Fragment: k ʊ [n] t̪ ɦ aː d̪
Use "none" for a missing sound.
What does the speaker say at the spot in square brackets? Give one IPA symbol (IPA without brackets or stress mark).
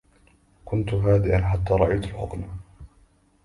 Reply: n